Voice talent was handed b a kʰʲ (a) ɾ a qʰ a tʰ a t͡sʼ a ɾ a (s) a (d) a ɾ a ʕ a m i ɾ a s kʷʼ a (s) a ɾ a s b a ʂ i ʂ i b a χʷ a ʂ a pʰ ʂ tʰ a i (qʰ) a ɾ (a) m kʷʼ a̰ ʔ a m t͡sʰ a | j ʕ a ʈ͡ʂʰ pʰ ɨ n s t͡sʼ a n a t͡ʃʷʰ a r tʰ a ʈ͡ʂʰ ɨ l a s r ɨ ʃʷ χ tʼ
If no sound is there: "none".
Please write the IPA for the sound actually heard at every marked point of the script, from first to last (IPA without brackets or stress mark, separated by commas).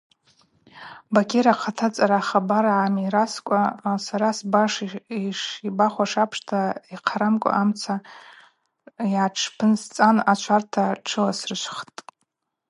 e, χ, b, s, qʰ, a